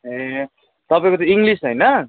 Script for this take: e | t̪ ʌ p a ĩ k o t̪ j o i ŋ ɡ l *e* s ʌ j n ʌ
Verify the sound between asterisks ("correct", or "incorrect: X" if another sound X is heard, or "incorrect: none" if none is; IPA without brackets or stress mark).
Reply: incorrect: i